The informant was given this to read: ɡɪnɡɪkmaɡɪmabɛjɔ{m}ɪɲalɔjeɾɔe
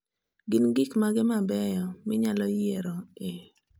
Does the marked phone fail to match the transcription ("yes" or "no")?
no